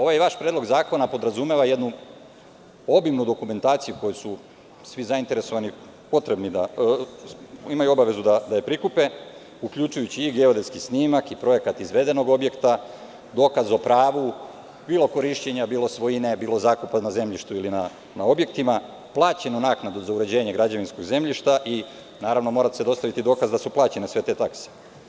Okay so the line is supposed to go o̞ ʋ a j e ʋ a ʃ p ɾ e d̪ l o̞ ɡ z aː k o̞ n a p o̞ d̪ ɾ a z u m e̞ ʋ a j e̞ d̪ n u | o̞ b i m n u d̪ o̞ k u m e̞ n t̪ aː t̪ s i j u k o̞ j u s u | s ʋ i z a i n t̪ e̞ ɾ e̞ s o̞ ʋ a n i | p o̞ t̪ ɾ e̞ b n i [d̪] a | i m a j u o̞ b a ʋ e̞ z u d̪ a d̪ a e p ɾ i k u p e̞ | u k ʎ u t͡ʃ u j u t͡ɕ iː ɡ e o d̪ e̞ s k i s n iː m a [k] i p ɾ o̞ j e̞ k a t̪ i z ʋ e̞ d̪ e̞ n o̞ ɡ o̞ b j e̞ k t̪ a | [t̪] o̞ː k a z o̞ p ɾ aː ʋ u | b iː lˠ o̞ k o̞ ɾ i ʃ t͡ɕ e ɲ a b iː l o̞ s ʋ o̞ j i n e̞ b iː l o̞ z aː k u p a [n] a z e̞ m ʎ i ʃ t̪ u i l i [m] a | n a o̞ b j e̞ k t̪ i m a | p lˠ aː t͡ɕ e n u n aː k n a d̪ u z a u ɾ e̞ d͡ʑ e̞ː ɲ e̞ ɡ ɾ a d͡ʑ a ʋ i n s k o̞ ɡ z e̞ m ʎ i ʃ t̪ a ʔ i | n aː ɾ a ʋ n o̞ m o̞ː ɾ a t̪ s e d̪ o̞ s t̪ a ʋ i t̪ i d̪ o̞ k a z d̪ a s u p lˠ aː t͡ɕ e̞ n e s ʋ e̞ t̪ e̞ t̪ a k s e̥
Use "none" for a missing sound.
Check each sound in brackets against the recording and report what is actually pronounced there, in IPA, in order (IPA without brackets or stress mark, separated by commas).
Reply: d̪, k, d̪, n, n